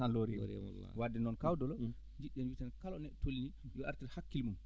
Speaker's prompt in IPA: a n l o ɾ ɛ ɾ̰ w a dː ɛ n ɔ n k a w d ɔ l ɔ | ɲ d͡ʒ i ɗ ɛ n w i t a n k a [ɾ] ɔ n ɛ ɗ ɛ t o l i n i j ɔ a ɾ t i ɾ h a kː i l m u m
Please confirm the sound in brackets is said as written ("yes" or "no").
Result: no